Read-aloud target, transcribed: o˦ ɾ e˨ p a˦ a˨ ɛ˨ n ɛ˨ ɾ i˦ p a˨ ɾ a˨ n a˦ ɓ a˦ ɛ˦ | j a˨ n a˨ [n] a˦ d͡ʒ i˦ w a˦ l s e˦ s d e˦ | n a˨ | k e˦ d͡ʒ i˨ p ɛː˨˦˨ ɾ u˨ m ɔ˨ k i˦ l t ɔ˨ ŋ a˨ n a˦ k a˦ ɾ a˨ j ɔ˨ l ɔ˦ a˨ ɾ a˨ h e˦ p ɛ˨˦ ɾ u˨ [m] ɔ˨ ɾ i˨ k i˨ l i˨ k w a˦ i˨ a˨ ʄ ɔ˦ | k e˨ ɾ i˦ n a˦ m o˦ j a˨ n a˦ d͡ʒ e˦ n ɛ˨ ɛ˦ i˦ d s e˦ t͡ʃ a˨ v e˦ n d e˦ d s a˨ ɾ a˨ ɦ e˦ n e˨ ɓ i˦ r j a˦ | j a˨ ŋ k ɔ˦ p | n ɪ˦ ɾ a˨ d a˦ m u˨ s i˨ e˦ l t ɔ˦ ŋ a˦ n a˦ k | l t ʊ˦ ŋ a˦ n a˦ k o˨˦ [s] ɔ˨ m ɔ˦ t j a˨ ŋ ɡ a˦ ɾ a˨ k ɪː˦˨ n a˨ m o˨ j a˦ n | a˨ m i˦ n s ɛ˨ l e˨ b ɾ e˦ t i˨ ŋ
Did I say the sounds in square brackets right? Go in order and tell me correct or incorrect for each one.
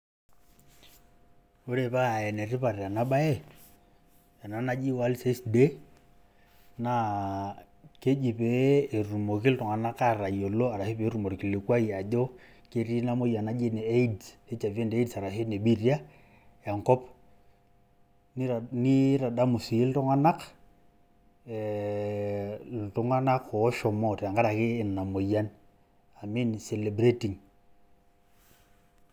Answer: correct, correct, incorrect: ʃ

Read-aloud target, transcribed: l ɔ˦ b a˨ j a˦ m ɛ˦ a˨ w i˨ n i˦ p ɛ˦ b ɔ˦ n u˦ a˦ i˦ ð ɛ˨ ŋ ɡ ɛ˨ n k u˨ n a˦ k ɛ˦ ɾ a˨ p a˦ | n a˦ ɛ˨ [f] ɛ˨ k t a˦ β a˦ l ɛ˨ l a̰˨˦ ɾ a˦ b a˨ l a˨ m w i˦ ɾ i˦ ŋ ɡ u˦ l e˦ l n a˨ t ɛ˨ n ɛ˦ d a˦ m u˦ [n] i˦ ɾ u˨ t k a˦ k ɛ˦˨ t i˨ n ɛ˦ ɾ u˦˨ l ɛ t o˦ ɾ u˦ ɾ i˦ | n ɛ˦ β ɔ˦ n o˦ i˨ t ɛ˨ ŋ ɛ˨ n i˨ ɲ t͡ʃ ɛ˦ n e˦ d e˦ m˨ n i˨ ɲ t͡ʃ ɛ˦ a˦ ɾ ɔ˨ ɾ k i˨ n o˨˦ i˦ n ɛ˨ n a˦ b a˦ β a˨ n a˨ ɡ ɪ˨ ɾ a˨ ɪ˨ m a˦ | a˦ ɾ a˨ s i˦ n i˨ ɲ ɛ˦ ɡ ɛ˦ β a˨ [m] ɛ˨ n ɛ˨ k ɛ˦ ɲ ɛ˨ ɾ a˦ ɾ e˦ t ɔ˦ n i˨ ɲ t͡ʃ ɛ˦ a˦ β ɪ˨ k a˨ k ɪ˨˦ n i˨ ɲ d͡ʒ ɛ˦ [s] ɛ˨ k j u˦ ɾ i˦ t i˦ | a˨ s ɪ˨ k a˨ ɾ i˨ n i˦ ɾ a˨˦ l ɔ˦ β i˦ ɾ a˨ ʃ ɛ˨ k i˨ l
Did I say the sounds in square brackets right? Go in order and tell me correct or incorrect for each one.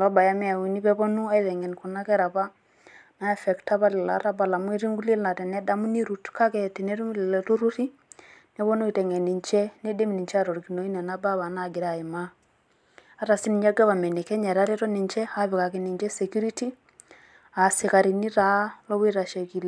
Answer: correct, correct, correct, correct

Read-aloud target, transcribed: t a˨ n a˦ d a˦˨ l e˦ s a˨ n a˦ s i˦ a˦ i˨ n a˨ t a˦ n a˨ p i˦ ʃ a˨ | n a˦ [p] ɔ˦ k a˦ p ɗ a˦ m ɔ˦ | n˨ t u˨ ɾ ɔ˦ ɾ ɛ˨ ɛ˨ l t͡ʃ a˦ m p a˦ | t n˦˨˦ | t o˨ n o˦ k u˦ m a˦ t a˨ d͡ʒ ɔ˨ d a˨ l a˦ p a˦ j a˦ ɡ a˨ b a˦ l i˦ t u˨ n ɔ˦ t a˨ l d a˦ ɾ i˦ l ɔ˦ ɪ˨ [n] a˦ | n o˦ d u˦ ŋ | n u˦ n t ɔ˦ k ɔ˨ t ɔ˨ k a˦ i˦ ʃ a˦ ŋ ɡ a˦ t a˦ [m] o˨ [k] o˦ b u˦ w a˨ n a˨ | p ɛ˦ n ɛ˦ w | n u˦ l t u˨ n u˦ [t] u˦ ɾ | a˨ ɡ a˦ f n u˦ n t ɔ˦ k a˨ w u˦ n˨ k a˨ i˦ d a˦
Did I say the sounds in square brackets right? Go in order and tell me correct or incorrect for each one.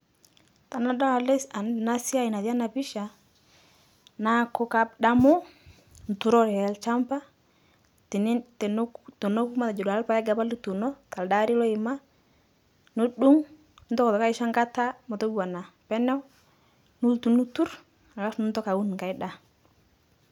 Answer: incorrect: k, incorrect: m, correct, incorrect: t, correct

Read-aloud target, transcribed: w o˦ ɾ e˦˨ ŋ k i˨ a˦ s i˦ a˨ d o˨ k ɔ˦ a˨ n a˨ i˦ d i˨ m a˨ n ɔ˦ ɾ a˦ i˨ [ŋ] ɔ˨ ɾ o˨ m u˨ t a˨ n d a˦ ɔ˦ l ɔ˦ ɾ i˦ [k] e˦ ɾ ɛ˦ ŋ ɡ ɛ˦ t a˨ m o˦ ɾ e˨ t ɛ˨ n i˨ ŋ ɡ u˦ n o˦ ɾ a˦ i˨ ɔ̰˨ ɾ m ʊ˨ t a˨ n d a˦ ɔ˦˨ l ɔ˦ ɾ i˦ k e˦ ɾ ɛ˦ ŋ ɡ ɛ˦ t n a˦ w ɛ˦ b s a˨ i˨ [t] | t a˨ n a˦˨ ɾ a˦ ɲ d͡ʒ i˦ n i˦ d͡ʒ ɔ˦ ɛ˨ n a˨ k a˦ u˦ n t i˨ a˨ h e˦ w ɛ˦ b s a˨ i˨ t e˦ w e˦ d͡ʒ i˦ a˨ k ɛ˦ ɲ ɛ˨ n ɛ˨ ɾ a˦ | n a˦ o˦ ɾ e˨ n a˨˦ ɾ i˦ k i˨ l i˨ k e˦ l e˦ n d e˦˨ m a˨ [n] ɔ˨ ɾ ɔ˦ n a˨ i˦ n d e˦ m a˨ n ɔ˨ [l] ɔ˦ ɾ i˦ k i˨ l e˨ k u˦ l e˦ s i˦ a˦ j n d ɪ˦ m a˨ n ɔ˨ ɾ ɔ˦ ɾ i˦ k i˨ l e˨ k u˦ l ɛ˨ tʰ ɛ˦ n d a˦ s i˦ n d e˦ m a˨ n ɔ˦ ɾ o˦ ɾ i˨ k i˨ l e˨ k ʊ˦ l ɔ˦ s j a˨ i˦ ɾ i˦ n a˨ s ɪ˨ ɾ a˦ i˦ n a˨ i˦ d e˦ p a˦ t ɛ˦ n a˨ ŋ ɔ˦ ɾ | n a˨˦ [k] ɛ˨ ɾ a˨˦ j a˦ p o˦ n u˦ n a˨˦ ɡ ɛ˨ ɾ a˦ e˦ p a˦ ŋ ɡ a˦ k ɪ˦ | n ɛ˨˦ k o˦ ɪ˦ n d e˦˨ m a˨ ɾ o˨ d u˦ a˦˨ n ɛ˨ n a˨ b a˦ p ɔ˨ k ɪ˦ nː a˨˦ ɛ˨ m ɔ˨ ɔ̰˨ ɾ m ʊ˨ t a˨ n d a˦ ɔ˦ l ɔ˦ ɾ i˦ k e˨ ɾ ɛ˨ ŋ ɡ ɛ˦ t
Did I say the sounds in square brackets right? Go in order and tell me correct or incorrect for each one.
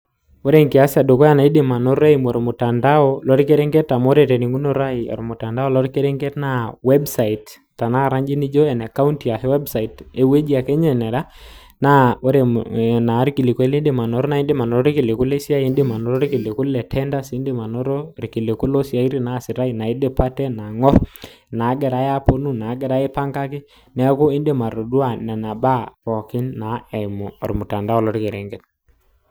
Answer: incorrect: m, correct, correct, correct, incorrect: ɾ, incorrect: ɡ

